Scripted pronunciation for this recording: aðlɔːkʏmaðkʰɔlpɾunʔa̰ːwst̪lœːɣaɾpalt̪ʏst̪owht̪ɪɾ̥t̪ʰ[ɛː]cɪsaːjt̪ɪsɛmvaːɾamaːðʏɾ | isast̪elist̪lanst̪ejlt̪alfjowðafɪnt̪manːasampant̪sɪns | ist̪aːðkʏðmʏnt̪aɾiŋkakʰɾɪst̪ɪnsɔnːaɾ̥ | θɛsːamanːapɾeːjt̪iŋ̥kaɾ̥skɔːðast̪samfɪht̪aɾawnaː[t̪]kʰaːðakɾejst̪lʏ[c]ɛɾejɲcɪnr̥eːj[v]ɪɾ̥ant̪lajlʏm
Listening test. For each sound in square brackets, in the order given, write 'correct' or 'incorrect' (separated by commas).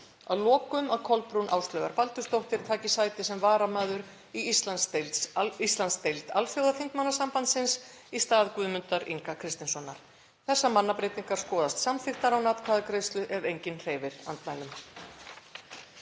incorrect, correct, incorrect, correct